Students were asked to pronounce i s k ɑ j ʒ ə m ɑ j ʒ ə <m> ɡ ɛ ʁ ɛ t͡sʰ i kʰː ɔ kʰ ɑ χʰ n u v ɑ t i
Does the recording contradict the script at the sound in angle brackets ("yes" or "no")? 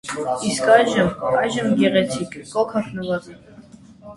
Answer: no